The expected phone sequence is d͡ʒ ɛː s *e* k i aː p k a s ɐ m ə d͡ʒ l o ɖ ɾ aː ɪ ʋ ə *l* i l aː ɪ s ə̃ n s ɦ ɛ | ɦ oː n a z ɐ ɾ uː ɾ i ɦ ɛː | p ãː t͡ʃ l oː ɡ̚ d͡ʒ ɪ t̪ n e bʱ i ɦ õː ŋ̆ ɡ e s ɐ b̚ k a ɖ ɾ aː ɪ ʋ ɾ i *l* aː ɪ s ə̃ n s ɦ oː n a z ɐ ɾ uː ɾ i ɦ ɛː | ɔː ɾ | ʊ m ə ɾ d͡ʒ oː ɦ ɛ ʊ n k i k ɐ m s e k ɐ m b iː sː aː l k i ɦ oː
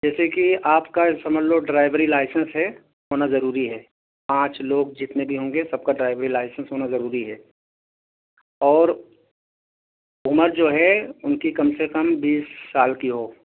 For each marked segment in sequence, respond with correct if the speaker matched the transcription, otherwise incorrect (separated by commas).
correct, incorrect, correct